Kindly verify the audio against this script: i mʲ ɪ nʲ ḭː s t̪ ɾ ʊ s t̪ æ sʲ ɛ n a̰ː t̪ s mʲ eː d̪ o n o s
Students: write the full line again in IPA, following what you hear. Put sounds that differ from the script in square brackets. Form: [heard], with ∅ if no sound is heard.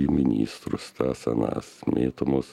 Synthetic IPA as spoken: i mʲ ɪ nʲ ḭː s t̪ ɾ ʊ s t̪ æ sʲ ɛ n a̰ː [∅] s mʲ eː [t̪] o [m] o s